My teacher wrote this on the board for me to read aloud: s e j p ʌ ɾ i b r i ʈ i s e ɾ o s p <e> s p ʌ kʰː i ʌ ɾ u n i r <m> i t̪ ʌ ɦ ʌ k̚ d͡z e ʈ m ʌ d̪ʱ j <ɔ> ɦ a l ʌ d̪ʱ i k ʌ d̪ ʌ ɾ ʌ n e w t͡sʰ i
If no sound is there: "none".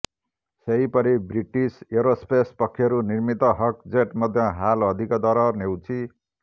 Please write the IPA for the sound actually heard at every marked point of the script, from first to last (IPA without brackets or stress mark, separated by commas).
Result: e, m, ʌ